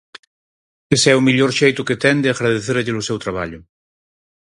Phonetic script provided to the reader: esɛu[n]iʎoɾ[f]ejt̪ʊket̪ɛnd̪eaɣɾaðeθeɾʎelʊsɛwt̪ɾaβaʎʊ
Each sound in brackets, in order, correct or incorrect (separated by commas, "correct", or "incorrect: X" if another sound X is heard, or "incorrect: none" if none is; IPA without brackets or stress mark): incorrect: m, incorrect: ʃ